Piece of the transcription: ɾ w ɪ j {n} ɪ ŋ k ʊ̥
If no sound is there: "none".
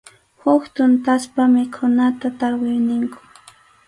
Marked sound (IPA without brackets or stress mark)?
n